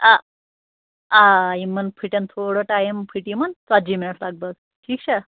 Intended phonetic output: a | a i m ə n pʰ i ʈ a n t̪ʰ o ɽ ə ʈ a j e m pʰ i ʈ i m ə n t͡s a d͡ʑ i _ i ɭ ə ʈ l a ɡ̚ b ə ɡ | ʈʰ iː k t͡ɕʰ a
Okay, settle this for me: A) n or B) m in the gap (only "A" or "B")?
B